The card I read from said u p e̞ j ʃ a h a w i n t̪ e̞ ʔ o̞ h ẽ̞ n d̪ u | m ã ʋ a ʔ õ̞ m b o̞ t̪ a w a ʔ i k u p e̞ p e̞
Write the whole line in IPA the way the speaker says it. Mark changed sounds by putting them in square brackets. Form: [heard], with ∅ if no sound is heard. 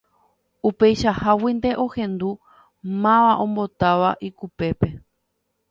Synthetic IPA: u p e̞ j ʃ a h a w i n [d̪] e̞ ʔ o̞ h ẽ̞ n d̪ u | m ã ʋ a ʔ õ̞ m b o̞ t̪ a [ʋ] a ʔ i k u p e̞ p e̞